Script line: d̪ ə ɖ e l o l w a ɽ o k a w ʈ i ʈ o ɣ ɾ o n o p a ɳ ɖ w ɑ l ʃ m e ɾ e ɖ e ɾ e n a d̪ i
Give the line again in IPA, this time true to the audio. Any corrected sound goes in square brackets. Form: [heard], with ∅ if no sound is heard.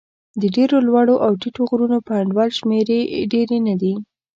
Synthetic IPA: d̪ ə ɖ e [ɾ] o l w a ɽ o [ʔ] a w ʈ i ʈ o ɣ ɾ [u] n o p a ɳ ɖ w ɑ l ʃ m e ɾ e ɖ e ɾ e n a d̪ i

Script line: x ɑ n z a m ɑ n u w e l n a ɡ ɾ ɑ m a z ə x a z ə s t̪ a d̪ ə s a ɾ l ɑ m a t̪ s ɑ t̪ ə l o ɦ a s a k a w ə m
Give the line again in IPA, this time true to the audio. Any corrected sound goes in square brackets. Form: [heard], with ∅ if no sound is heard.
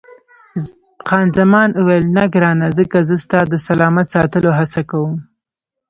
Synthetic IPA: x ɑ n z a m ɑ n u w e l n a ɡ ɾ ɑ [n] a z ə [k] a z ə s t̪ [ɑ] d̪ ə s a [∅] l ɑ m a t̪ s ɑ t̪ ə l o ɦ a s a k a w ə m

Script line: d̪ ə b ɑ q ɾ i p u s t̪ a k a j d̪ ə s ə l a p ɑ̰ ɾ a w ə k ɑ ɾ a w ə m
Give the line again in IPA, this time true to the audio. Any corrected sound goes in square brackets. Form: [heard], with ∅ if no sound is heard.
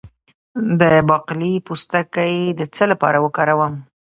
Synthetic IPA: d̪ ə b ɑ q [l] i p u s t̪ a k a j d̪ ə [t͡s] ə l a p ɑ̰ ɾ a w ə k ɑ ɾ a w ə m

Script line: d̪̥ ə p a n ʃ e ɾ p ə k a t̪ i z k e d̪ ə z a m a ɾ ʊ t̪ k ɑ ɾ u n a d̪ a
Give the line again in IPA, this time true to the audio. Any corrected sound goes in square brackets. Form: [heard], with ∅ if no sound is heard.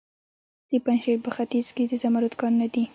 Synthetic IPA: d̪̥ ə p a n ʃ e ɾ p ə [x] a t̪ i z k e d̪ ə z a m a ɾ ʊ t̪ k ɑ ɾ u n a d̪ [i]

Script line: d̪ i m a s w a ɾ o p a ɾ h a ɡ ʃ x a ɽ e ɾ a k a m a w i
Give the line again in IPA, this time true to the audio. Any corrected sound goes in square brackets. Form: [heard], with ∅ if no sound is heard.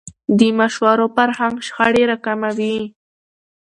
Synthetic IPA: d̪ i m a [ʃ] w a ɾ o p a ɾ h a [ŋ] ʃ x a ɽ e ɾ a k a m a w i

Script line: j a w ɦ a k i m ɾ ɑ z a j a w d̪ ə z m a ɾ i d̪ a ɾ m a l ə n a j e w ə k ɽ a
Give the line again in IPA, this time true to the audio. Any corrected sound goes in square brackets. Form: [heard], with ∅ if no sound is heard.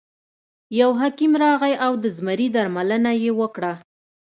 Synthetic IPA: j a w ɦ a k i m ɾ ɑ [ɣ] a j a w d̪ ə z m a ɾ i d̪ a ɾ m a l ə n a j e w ə k ɽ a

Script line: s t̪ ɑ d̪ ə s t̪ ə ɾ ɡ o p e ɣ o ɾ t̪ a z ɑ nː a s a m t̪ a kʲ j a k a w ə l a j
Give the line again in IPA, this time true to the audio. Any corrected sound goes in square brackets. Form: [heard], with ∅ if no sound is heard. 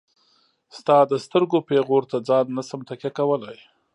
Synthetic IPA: s t̪ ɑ d̪ ə s t̪ ə ɾ ɡ o p e ɣ o ɾ t̪ a [d͡z] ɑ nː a s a m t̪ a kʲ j a k a w ə l a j

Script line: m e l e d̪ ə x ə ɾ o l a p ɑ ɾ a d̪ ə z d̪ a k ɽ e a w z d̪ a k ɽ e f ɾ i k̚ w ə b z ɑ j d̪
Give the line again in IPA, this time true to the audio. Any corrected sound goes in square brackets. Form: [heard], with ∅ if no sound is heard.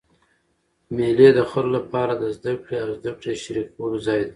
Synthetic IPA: m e l e d̪ ə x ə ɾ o l a p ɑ ɾ a d̪ ə z d̪ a k ɽ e a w z d̪ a k ɽ e [ʃ] ɾ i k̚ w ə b z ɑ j d̪

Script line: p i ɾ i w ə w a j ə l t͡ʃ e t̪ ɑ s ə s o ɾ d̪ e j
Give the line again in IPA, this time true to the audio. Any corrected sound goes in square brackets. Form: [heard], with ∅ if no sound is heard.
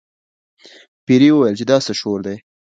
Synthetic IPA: p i ɾ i w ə w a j ə l t͡ʃ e [d̪] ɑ s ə [ʃ] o ɾ d̪ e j

